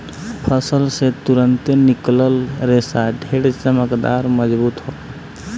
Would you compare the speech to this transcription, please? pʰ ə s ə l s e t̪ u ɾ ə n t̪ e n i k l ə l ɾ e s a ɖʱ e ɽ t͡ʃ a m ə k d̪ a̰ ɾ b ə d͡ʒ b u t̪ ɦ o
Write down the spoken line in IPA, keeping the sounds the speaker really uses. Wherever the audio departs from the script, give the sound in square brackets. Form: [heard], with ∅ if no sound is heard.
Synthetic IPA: pʰ ə s ə l s e t̪ u ɾ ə n t̪ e n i k l ə l ɾ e s a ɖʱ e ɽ t͡ʃ [ə] m ə k d̪ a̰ ɾ [m] ə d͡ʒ b u t̪ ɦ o